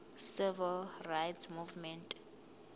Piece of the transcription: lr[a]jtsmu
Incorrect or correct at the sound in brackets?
correct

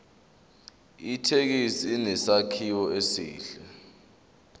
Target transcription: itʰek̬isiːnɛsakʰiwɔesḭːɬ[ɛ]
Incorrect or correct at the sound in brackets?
correct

